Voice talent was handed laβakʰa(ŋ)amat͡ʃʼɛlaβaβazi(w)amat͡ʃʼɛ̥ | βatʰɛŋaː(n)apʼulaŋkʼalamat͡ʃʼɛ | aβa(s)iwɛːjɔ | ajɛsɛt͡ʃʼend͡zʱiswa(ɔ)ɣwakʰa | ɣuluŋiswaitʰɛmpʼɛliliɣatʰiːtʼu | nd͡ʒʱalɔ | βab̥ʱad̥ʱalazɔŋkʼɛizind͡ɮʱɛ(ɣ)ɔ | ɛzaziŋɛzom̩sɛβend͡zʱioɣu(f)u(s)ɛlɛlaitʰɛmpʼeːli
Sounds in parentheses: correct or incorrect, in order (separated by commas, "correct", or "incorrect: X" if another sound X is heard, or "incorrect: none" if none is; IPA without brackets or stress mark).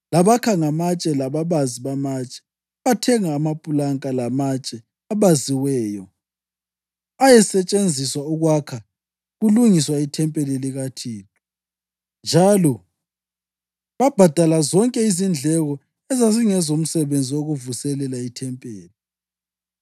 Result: correct, incorrect: β, incorrect: m, incorrect: z, incorrect: u, correct, incorrect: v, correct